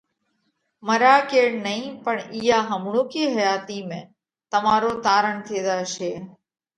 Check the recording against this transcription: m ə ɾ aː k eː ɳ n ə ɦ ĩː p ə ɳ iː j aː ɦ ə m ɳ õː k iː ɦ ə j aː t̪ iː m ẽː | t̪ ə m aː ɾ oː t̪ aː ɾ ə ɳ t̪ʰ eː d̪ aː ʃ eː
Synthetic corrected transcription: m ə ɾ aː k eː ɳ n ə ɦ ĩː p ə ɳ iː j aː ɦ ə m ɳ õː k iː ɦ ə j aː t̪ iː m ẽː | t̪ ə m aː ɾ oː t̪ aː ɾ ə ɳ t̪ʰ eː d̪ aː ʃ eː